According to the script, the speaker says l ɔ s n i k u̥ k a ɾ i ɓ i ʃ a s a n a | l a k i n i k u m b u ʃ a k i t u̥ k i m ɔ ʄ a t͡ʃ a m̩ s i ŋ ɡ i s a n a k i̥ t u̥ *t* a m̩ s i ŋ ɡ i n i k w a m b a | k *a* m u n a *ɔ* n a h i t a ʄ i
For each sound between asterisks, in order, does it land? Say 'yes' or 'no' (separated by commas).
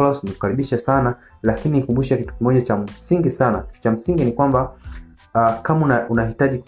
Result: no, yes, no